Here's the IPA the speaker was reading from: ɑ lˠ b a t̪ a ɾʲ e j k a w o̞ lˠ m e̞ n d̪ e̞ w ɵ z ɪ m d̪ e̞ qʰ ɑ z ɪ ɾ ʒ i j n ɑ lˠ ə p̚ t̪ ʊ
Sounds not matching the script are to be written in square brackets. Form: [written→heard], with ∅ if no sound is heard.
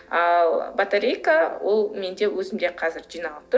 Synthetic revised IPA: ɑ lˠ b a t̪ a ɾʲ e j k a w o̞ lˠ m e̞ n d̪ e̞ w ɵ z ɪ m d̪ e̞ qʰ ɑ z ɪ ɾ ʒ i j n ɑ lˠ ə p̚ t̪ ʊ